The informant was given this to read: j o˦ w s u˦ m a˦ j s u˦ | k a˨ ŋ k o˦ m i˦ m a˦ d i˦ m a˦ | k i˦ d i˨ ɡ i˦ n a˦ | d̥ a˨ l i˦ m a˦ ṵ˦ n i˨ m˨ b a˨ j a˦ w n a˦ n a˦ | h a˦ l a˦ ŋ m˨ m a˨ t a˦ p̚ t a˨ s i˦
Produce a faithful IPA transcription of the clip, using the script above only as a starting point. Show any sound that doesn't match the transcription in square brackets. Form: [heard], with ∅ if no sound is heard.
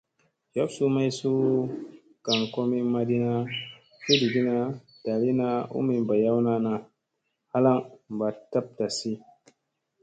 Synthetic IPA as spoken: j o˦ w s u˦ m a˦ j s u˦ | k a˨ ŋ k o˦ m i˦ m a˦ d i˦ [n] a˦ | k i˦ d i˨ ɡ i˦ n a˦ | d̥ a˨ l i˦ [n] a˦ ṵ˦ [m] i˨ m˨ b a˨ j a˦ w n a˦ n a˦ | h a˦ l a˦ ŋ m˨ [b] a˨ t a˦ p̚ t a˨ s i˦